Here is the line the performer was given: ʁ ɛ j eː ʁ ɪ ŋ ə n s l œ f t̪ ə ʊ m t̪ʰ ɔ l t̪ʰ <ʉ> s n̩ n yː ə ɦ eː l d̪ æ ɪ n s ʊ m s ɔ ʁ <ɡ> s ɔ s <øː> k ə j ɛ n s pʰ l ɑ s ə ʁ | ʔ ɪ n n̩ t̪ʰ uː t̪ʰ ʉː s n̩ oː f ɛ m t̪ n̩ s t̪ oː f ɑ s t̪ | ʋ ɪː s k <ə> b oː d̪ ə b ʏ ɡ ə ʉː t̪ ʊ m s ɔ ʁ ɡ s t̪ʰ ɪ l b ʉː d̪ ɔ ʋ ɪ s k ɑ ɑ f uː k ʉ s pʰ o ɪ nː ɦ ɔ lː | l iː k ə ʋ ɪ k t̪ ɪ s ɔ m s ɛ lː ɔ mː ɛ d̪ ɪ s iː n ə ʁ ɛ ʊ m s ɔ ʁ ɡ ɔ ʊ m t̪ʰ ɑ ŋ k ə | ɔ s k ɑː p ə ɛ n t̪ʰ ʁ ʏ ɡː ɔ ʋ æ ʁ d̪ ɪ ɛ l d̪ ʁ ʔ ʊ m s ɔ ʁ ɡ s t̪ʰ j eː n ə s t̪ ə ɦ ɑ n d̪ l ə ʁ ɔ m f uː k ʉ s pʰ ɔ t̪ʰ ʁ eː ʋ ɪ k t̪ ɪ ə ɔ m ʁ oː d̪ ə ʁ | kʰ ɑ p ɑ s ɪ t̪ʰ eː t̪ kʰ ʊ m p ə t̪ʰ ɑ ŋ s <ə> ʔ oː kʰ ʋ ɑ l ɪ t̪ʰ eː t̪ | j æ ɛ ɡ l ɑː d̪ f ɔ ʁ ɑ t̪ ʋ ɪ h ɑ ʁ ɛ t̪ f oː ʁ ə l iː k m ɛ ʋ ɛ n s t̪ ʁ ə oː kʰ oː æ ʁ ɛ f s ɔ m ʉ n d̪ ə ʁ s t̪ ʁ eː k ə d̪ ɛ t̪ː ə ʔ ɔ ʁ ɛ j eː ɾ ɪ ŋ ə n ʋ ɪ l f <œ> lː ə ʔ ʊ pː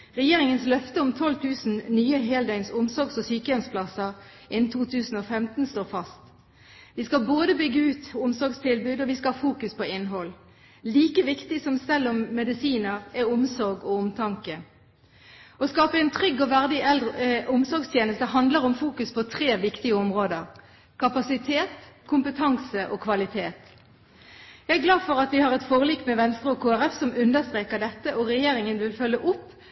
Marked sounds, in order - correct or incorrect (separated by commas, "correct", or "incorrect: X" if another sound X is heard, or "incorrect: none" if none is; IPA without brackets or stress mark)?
incorrect: ʉː, correct, incorrect: yː, incorrect: ɑ, correct, correct